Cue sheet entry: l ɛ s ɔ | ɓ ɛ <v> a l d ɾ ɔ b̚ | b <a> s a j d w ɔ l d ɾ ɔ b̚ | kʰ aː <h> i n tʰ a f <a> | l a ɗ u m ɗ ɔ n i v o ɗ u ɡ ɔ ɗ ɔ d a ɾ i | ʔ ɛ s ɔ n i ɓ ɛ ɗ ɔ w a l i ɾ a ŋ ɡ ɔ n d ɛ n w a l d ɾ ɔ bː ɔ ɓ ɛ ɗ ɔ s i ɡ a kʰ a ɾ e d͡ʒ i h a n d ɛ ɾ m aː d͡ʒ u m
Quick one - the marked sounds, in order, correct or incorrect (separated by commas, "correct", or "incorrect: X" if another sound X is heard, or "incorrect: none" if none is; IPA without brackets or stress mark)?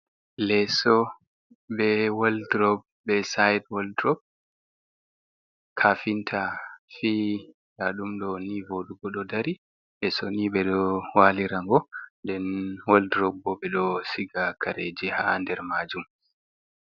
incorrect: w, incorrect: ɛ, incorrect: f, incorrect: i